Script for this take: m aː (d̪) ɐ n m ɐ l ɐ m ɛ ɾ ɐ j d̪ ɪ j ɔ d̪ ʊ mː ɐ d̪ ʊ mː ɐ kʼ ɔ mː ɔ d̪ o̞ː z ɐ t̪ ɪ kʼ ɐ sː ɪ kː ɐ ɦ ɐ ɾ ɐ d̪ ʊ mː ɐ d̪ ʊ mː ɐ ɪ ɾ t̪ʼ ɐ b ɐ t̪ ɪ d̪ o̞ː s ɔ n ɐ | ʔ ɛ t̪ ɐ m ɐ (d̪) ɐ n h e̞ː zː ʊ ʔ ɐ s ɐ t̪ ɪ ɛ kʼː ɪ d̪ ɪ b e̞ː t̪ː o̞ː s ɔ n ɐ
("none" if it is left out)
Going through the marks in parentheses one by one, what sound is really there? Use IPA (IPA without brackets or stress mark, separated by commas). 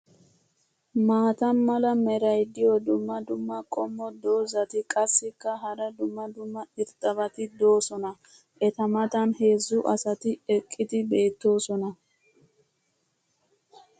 t̪, t̪